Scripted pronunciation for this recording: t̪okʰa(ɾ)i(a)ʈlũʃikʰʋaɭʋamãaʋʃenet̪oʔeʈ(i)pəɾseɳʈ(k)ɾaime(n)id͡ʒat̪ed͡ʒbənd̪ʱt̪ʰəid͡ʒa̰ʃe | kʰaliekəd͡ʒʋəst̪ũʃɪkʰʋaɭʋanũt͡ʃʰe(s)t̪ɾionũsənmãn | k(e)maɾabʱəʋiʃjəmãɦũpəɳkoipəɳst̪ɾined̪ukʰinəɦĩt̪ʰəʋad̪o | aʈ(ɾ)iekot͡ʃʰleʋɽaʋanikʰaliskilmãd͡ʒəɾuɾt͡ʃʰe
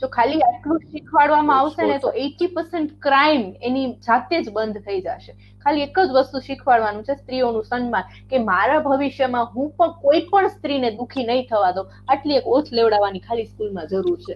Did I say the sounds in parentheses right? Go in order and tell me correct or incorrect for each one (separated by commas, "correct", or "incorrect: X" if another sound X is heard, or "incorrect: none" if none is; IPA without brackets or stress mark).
incorrect: l, correct, correct, correct, correct, correct, correct, incorrect: l